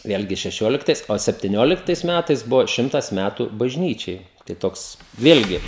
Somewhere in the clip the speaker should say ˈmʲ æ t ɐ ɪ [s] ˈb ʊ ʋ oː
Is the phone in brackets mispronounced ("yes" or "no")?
no